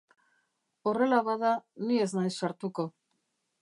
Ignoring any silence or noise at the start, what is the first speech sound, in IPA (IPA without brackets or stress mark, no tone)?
o̞